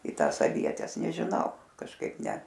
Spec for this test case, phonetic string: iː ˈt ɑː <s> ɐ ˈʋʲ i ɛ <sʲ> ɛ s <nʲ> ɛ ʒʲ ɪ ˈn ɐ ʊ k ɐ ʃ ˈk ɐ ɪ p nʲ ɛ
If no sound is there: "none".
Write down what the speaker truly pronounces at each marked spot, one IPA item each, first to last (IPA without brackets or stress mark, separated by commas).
s, tʲ, nʲ